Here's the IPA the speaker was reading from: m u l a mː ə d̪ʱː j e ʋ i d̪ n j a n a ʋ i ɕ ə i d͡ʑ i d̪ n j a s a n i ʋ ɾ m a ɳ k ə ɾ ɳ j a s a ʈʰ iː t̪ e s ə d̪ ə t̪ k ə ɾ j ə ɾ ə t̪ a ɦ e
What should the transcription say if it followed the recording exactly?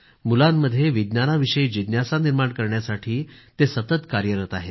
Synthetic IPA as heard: m u l a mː ə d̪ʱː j e ʋ i d̪ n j a n a ʋ i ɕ ə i d͡ʑ i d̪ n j a s a n i ɾ m a ɳ k ə ɾ ɳ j a s a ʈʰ iː t̪ e s ə t̪ ə t̪ k a ɾ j ə ɾ ə t̪ a ɦ e